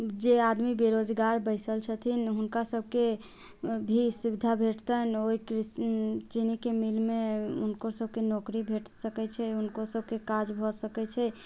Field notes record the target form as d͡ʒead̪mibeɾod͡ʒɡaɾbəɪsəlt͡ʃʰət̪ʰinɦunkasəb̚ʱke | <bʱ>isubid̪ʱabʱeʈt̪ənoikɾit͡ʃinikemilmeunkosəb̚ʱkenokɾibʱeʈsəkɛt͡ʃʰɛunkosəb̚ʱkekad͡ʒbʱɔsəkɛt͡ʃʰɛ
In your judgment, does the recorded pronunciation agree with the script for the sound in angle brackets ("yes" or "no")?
yes